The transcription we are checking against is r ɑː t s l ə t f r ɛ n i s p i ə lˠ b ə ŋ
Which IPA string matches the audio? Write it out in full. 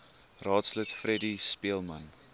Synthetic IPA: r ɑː t s l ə t f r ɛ d i s p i ə lˠ m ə n

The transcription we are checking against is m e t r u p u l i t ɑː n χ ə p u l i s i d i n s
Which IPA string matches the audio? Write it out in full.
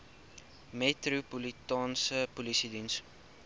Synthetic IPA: m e t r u p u l i t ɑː n s ə p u l i s i d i n s

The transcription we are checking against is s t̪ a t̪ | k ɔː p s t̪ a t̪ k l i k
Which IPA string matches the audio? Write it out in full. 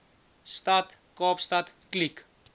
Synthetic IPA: s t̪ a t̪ | k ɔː p s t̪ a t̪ k l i k

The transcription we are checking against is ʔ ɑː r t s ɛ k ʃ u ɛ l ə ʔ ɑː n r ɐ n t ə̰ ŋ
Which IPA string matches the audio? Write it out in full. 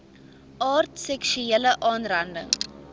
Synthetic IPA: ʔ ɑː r t s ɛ k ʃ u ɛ l ə ʔ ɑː n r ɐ n d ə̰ ŋ

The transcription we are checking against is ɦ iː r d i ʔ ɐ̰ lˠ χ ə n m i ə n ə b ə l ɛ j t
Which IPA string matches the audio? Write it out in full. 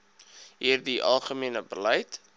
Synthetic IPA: ɦ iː r d i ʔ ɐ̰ lˠ χ ə m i ə n ə b ə l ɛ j t

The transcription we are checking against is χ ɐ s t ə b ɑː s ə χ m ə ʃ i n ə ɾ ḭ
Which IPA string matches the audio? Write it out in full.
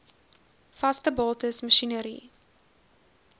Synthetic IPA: f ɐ s t ə b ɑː t ə s m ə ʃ i n ə ɾ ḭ

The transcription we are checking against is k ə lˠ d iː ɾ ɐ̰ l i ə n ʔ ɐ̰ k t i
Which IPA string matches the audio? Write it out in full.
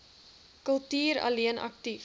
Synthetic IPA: k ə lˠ t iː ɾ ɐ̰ l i ə n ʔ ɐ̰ k t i

